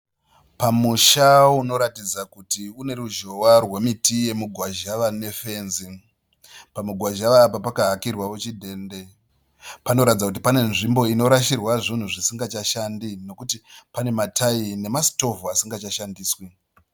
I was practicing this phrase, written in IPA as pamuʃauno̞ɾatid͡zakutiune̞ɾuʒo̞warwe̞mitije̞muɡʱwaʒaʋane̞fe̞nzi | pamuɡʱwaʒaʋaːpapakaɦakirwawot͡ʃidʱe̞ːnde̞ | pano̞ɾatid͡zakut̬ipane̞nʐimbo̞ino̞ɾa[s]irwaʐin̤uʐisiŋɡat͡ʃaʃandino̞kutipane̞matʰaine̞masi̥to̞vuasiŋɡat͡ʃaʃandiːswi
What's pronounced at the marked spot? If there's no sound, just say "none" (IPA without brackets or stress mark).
ʃ